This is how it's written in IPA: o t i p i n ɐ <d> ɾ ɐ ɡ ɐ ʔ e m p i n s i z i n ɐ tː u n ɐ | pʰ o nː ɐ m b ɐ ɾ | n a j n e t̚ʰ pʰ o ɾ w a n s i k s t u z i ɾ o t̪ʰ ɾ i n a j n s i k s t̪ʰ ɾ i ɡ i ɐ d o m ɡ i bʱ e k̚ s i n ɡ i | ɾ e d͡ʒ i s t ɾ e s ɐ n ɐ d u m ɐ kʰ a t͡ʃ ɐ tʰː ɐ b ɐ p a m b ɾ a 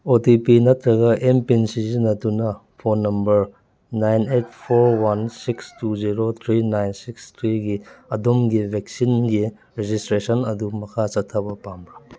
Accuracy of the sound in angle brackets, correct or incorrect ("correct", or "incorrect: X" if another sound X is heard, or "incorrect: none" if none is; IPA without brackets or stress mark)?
incorrect: t